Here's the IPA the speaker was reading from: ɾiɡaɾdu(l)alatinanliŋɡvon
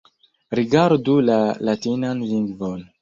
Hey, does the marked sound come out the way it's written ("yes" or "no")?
yes